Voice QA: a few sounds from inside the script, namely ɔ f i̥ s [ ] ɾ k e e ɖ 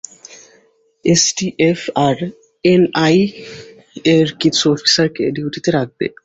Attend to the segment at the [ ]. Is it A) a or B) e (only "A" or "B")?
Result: A